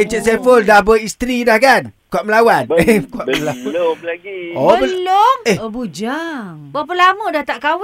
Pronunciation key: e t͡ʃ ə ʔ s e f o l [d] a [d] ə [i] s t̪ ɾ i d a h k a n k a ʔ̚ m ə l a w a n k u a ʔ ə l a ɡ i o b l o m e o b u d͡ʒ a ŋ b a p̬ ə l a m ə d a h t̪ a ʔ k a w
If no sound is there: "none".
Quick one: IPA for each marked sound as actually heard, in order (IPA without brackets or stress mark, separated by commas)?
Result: d, b, i